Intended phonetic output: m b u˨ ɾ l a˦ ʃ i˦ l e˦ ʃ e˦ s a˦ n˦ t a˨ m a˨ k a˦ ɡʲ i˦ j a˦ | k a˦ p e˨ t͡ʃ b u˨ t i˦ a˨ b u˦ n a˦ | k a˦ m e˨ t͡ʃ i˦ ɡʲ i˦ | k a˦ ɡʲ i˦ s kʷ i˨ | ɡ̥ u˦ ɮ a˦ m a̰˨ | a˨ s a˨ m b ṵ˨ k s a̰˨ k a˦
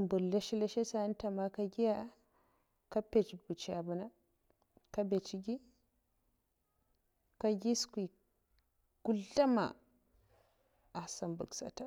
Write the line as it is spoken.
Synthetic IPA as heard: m b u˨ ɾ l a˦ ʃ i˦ l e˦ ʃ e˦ s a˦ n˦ t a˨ m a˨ k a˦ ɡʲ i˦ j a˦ | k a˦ p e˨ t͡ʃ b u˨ t͡ʃ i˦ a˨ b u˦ n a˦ | k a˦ b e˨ t͡ʃ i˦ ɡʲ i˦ | k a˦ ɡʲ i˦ s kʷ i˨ | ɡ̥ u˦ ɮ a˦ m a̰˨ | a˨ s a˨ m b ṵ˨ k s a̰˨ t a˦